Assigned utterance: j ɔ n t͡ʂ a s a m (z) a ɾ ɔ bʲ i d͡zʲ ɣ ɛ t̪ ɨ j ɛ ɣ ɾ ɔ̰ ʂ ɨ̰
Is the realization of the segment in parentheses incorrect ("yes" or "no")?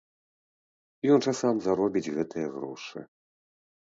no